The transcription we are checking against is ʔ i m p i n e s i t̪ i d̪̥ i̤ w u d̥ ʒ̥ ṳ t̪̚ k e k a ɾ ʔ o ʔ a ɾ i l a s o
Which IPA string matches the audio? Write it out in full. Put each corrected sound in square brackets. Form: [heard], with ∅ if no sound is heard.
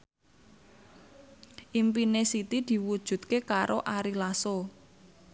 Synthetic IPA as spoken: ʔ i m p i n e s i t̪ i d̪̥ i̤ w u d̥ ʒ̥ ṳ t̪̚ k e k a ɾ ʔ o ʔ a ɾ i l a s o